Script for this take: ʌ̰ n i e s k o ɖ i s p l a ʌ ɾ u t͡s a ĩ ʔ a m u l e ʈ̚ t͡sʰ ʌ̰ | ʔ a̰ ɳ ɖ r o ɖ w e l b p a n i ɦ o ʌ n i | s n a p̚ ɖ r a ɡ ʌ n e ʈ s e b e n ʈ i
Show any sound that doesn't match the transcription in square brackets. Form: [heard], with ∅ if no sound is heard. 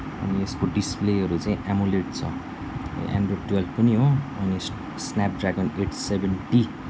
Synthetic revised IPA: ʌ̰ n i e s k o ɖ i s p l [e] ʌ ɾ u t͡s a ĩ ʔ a m u l e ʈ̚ t͡sʰ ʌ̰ | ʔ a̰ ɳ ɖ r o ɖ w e l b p [ʌ] n i ɦ o ʌ n i | s n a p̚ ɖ r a ɡ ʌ n e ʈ s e b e n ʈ i